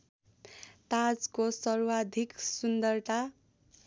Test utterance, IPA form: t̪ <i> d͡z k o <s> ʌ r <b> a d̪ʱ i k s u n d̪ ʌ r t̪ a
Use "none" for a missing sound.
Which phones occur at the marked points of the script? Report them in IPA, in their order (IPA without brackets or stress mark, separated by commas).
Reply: a, s, w